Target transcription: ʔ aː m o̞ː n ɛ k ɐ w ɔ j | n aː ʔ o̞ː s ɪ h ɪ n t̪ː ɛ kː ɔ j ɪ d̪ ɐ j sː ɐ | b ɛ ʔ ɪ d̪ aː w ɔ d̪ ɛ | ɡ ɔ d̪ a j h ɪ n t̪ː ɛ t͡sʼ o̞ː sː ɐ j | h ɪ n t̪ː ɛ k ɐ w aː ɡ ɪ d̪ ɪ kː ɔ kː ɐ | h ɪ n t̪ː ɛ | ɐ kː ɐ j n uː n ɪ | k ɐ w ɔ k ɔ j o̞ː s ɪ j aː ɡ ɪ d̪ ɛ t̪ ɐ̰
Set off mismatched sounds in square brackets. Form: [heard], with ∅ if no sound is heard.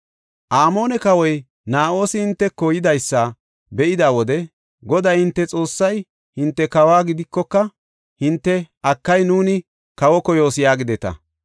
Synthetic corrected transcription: ʔ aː m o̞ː n ɛ k ɐ w ɔ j | n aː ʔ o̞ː s ɪ h ɪ n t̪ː ɛ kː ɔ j ɪ d̪ ɐ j sː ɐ | b ɛ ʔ ɪ d̪ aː w ɔ d̪ ɛ | ɡ ɔ d̪ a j h ɪ n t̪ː ɛ t͡sʼ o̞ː sː ɐ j | h ɪ n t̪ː ɛ k ɐ w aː ɡ ɪ d̪ ɪ kː ɔ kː ɐ | h ɪ n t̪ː ɛ | ɐ kː ɐ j n uː n ɪ | k ɐ w ɔ k ɔ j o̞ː s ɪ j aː ɡ ɪ d̪ ɛ t̪ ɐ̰